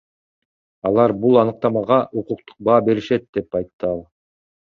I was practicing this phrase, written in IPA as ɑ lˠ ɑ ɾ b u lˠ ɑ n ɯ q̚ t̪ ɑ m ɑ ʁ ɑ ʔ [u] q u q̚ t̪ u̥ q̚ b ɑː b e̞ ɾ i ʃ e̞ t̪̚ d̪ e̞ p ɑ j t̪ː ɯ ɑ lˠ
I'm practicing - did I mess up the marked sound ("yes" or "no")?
no